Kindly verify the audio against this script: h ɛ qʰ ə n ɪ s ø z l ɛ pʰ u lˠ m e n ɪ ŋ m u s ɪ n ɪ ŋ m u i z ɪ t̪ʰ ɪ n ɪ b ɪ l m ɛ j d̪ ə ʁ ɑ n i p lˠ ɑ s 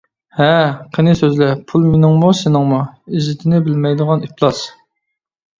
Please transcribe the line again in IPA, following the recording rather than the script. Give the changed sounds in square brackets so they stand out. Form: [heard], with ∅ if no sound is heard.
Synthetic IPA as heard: h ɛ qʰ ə n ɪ s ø z l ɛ pʰ u lˠ m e n ɪ ŋ m u s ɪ n ɪ ŋ m u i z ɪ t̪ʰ ɪ n ɪ b ɪ l m ɛ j d̪ ə ʁ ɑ n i p lˠ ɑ s